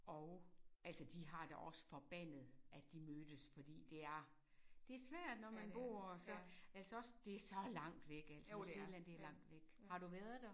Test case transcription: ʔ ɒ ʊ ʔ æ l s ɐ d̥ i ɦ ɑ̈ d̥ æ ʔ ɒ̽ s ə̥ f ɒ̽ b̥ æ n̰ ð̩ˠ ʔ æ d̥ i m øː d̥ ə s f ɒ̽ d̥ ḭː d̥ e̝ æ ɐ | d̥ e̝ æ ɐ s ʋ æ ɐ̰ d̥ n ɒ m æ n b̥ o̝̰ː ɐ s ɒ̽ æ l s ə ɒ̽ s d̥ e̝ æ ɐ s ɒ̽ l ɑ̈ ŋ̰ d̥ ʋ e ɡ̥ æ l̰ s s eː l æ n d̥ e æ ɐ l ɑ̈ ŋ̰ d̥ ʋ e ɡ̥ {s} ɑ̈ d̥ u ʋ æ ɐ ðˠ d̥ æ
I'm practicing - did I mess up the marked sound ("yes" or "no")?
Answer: yes